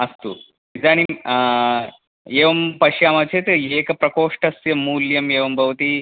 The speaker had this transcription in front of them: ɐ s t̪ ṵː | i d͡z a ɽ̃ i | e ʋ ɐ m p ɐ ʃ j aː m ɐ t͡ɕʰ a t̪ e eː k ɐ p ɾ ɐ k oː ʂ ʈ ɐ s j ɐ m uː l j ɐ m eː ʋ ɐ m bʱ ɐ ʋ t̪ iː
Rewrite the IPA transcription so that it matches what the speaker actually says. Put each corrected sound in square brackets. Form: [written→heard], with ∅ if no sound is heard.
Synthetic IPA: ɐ s t̪ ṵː | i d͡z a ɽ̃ i | e ʋ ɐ m p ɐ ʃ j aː m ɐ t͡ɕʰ [a→e] t̪ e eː k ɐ p ɾ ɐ k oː ʂ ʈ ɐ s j ɐ m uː l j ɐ m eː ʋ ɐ m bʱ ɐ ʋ t̪ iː